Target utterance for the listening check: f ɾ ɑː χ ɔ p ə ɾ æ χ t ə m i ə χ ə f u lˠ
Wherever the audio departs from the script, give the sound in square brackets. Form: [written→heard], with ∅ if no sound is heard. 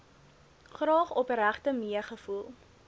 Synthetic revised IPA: [f→χ] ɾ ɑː χ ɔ p ə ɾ æ χ t ə m i ə χ ə f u lˠ